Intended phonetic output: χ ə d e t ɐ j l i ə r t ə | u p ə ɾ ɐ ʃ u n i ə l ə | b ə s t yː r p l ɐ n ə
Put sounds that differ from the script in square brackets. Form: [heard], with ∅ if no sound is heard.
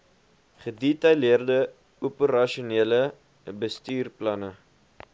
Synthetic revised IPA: χ ə d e t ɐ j l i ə r [d] ə | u p ə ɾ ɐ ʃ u n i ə l ə | b ə s t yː r p l ɐ n ə